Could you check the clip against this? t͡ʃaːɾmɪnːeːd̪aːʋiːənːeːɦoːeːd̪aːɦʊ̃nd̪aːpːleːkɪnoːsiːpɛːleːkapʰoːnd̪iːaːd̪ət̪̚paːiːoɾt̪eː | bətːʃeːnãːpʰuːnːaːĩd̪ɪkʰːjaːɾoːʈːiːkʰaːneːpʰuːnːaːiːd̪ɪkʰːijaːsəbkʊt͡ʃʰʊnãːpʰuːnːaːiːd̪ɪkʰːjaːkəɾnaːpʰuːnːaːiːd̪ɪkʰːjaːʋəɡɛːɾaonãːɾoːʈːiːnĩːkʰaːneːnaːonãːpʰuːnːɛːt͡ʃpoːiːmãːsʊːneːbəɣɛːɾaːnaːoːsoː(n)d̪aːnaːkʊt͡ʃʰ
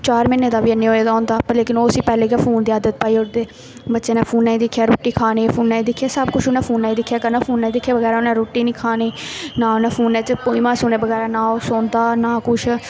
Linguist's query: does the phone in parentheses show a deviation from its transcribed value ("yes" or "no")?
no